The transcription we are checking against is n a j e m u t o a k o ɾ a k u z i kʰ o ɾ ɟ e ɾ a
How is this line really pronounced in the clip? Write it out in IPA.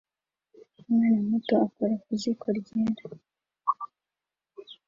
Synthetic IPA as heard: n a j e m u t o a k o ɾ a k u z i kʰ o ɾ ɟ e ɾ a